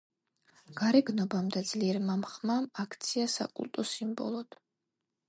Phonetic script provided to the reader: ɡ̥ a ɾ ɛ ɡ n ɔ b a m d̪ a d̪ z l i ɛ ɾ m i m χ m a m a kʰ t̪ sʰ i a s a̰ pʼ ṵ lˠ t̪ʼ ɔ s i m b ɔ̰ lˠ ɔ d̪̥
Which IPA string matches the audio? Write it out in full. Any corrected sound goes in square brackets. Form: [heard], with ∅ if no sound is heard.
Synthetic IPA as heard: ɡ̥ a ɾ ɛ ɡ n ɔ b a m d̪ a d̪ z l i ɛ ɾ m [a] m χ m a m a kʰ t̪ sʰ i a s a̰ [kʼ] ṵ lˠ t̪ʼ ɔ s i m b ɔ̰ lˠ ɔ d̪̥